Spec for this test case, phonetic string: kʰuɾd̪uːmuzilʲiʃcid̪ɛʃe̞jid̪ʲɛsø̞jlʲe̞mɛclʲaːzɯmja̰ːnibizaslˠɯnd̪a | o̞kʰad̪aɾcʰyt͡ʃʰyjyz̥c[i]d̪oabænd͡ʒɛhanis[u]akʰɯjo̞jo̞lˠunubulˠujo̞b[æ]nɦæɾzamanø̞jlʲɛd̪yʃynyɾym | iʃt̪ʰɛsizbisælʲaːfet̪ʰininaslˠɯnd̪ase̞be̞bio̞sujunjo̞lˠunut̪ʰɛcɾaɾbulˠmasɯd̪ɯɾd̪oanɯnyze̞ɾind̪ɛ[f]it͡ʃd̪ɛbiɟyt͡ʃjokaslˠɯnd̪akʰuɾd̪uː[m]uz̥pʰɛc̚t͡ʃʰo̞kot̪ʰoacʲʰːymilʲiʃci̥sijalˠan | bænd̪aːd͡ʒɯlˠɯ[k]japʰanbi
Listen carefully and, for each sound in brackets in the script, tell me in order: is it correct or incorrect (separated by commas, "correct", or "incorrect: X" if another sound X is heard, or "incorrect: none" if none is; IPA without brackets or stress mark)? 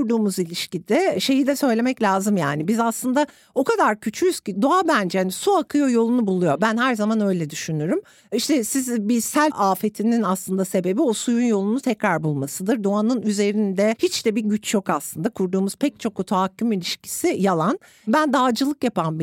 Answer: correct, correct, correct, incorrect: h, correct, correct